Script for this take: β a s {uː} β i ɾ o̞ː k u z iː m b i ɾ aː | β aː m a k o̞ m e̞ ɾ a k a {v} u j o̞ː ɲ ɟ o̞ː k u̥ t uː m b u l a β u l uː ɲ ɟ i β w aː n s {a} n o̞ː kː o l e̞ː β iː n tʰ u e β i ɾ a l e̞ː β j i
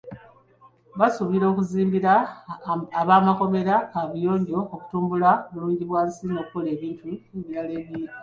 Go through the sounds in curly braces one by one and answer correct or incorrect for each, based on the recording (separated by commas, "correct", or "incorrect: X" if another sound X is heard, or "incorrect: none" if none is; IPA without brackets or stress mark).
incorrect: u, incorrect: β, incorrect: i